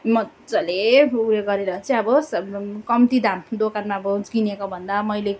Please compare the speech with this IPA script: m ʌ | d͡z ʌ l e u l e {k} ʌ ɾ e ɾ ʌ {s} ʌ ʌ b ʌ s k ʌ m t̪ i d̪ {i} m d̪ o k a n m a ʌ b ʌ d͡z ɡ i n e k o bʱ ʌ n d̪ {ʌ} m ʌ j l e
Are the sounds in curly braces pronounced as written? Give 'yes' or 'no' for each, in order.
no, no, no, no

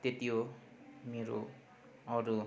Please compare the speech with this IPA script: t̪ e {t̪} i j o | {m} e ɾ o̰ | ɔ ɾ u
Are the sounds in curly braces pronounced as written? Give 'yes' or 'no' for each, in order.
yes, yes

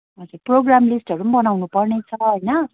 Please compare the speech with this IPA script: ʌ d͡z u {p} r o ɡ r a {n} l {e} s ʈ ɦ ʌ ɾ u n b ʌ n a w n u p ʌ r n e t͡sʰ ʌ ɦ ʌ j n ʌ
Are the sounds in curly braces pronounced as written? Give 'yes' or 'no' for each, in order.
yes, no, no

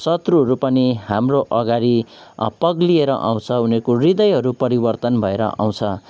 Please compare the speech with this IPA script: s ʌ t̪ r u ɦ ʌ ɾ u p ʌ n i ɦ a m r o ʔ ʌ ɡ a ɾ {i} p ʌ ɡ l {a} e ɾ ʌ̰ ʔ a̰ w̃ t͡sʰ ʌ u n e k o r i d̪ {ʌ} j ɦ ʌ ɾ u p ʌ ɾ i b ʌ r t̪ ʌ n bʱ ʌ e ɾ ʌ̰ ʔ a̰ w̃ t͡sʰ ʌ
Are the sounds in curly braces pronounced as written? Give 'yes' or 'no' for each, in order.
yes, no, yes

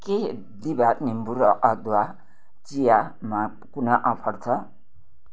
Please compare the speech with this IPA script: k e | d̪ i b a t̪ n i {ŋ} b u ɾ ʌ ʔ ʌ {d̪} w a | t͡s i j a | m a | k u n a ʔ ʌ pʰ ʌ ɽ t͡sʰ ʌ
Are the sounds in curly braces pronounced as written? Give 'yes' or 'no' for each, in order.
no, yes

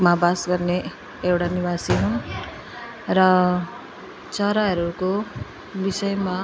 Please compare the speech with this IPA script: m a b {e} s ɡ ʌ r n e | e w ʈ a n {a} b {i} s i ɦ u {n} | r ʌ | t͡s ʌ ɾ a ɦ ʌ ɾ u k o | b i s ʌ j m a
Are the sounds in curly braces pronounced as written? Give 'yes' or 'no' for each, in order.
no, no, no, yes

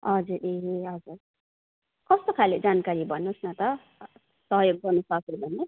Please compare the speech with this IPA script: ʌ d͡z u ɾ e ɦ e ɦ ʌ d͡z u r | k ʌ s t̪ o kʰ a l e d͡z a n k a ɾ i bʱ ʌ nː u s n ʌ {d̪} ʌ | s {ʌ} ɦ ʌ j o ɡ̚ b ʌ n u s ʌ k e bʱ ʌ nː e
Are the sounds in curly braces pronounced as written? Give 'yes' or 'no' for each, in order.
no, yes

